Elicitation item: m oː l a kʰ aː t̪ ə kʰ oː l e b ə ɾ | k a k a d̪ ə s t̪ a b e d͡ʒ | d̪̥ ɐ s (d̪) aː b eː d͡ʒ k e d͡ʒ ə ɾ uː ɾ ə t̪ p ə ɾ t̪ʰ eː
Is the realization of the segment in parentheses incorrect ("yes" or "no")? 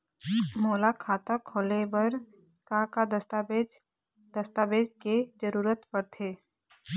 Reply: yes